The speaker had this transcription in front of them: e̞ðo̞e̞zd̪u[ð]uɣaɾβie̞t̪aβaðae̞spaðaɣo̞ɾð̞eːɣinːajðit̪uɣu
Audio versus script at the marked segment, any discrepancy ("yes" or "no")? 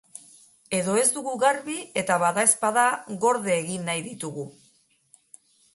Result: yes